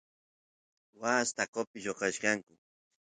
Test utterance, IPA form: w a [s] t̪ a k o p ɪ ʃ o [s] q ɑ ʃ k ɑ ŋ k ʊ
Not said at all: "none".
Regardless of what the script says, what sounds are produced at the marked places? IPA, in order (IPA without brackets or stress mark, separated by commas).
s, none